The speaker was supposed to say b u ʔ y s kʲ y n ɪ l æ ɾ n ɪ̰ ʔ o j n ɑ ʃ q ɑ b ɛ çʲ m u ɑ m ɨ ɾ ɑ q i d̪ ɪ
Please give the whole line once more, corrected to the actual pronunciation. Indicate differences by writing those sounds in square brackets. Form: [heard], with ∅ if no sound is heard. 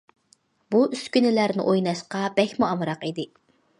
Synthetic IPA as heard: b u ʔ y s kʲ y n ɪ l æ ɾ n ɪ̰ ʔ o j n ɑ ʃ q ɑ b ɛ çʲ m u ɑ m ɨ ɾ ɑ q i d̪ ɪ